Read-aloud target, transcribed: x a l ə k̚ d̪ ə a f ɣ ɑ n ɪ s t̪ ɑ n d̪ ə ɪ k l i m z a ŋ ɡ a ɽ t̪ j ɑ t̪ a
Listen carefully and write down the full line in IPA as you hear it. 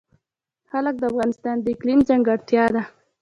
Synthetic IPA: x a l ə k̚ d̪ ə a f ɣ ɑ n ɪ s t̪ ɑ n d̪ ə ɪ k l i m z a ŋ ɡ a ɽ t̪ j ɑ d̪ a